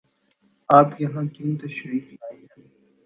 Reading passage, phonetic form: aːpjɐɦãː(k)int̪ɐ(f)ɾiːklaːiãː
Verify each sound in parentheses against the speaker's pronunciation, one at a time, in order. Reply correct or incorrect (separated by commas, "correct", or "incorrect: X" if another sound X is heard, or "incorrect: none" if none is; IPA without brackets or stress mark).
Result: correct, incorrect: ʃ